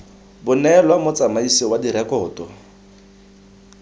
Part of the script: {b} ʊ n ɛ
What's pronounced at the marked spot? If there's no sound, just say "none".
b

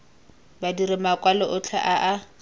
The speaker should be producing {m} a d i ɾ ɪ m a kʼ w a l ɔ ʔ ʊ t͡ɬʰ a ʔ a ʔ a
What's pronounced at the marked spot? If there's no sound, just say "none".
b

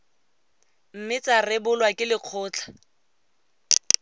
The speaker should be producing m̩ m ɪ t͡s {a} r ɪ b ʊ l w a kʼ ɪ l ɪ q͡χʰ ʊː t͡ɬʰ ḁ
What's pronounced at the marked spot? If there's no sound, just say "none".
a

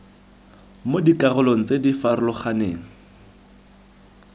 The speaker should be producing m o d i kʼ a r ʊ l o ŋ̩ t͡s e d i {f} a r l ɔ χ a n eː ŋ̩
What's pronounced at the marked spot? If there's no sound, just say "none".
f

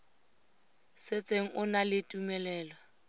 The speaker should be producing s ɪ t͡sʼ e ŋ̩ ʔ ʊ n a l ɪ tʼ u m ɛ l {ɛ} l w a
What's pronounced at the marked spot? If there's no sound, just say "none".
ɛː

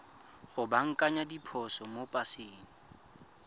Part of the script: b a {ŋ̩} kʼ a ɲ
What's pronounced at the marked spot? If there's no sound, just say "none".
ŋ̩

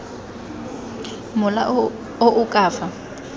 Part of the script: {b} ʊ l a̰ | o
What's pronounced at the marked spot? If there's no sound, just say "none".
m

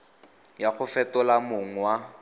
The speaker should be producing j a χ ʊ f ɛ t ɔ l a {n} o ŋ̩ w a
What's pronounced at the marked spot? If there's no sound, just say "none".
m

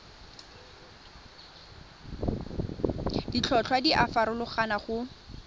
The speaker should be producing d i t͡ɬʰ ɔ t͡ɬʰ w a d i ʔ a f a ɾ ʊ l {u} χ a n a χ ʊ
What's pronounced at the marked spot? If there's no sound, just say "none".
ʊ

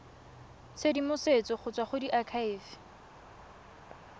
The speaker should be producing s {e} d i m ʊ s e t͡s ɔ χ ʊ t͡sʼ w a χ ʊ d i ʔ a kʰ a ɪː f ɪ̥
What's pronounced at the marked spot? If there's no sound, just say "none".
e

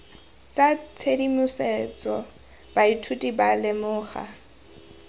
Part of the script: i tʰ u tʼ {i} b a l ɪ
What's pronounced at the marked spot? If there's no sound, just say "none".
i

